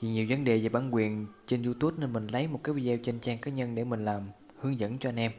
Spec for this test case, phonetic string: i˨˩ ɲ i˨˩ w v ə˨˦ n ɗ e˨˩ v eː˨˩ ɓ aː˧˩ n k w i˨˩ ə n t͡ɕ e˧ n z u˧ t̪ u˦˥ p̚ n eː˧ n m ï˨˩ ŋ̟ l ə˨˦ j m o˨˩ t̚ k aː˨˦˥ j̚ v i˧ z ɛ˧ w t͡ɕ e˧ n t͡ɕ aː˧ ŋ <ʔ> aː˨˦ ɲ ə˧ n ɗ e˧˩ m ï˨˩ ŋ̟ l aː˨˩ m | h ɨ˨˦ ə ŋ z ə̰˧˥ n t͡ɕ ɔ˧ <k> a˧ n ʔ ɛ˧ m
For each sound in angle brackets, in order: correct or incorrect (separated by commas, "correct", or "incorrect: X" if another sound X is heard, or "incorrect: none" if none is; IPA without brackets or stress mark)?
incorrect: k, incorrect: ʔ